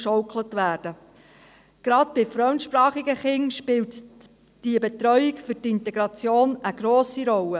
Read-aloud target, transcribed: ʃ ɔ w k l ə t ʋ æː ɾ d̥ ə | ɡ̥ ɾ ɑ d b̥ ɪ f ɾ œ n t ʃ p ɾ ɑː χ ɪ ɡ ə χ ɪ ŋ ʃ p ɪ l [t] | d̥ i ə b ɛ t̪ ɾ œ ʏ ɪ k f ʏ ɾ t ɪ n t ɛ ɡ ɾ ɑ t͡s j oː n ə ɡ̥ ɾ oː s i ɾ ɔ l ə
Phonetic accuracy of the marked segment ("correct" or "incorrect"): correct